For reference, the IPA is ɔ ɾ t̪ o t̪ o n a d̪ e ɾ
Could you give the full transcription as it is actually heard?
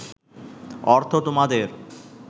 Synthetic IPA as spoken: ɔ ɾ t̪ʰ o t̪ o m a d̪ e ɾ